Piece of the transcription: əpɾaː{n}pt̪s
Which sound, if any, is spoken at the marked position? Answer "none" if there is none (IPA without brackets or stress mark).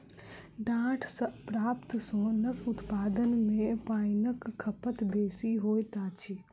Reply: none